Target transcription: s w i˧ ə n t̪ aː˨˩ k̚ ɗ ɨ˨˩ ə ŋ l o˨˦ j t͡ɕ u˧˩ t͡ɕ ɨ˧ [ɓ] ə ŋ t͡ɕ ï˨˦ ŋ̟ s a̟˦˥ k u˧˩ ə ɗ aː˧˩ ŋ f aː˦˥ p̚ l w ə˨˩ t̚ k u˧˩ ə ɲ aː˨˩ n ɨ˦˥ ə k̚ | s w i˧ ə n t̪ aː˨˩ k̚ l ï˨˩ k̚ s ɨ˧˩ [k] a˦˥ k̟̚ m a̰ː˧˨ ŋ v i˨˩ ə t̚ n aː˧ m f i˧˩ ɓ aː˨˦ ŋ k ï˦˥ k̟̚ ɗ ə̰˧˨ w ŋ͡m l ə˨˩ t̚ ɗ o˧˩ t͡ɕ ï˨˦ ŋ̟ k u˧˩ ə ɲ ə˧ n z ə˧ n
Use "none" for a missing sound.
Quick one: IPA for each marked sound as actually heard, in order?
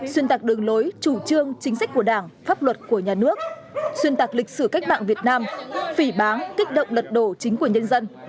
none, k

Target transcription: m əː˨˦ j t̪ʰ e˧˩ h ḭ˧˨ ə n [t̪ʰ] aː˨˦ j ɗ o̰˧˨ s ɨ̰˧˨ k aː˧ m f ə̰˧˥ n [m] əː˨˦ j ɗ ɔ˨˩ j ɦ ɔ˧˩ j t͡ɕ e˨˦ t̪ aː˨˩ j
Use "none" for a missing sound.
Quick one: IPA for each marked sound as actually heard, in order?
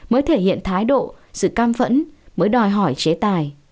t̪ʰ, m

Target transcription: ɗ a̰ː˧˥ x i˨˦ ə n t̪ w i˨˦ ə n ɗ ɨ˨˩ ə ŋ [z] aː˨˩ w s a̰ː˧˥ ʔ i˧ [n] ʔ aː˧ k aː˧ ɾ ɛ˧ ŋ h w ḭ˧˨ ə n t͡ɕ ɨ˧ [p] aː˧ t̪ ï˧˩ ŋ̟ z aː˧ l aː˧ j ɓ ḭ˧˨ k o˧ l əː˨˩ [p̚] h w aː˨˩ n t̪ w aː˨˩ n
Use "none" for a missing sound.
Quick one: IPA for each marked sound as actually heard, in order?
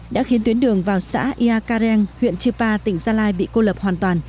v, none, p, p̚

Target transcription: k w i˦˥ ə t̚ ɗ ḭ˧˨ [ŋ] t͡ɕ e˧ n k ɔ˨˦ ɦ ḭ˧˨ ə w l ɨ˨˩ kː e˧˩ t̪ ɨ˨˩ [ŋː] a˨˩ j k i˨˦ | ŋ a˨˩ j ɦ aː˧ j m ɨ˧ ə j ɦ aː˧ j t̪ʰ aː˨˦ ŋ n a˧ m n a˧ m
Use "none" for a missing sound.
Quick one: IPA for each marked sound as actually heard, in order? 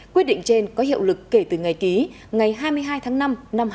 ŋ, ŋ

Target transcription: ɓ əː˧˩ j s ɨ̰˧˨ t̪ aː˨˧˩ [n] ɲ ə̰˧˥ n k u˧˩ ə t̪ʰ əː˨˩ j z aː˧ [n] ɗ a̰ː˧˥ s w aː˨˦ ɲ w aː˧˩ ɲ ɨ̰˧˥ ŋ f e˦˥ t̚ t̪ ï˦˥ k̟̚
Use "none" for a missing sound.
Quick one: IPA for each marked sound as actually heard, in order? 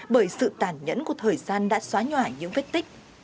n, n

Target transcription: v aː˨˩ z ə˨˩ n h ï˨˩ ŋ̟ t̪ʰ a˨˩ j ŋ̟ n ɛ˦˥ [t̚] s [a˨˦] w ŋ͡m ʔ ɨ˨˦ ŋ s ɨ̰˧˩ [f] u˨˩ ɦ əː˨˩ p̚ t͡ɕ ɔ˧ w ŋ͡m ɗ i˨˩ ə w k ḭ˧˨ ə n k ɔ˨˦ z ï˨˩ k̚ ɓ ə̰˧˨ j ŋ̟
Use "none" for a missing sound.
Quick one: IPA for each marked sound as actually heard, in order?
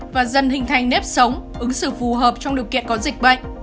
p̚, ə˨˦, f

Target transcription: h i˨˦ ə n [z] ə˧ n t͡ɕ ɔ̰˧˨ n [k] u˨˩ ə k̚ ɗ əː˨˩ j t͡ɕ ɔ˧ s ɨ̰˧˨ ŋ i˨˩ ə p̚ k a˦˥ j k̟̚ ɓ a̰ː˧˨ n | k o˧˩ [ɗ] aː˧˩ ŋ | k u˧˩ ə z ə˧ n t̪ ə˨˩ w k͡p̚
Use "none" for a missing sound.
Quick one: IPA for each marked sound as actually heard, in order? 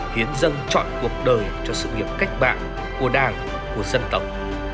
z, k, ɗ

